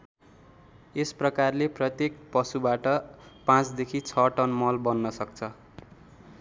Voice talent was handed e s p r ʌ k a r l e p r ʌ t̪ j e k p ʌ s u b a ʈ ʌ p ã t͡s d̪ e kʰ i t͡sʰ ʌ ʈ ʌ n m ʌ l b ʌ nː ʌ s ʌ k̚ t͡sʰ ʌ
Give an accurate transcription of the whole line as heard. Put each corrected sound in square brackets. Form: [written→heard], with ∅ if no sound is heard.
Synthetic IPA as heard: e s p r ʌ k a r l e p r ʌ t̪ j e k p ʌ s u b a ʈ ʌ p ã t͡s d̪ e kʰ i t͡sʰ ʌ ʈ ʌ n m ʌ l b ʌ nː ʌ s ʌ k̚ t͡sʰ ʌ